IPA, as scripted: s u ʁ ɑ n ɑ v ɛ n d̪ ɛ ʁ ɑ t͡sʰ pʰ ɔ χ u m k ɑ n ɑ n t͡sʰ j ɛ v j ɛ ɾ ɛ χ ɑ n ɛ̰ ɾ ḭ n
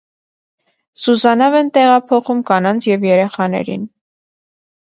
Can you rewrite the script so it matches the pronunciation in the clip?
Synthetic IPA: s u z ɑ n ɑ v ɛ n t̪ ɛ ʁ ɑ pʰ ɔ χ u m k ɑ n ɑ n t͡sʰ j ɛ v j ɛ ɾ ɛ χ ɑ n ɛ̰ ɾ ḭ n